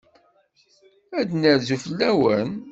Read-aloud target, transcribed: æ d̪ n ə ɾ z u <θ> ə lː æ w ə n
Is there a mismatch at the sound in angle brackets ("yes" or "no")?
yes